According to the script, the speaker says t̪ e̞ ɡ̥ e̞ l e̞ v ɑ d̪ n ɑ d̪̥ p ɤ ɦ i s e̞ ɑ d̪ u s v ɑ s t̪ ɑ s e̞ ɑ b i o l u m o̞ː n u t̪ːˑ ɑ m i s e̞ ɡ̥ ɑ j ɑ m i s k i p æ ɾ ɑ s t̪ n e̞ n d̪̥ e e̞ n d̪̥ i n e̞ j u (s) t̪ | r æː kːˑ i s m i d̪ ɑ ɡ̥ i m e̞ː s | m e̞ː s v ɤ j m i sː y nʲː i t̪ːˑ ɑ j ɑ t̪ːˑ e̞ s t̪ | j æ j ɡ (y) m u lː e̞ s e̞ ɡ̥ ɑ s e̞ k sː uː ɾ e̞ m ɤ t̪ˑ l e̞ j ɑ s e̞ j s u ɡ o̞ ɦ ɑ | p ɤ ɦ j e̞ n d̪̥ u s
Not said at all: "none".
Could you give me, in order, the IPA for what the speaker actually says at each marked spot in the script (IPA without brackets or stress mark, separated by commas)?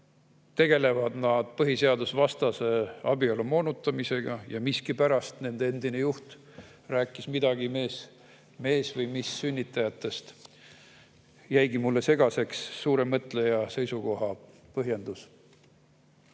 h, i